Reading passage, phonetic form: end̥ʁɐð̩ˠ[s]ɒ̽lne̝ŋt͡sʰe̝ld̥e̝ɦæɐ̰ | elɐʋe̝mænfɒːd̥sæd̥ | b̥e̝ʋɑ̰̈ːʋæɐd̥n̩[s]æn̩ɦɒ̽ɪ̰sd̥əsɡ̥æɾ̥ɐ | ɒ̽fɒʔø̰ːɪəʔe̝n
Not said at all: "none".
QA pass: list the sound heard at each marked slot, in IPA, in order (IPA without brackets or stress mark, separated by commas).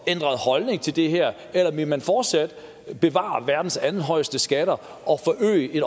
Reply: h, s